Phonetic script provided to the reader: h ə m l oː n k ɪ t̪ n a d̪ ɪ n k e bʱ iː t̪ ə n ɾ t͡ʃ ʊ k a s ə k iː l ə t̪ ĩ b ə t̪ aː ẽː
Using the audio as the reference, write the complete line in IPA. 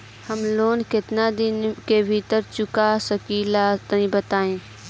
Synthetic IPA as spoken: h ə m l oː n k ɪ t̪ n a d̪ ɪ n k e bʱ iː t̪ ə ɾ t͡ʃ ʊ k a s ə k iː l a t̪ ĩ b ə t̪ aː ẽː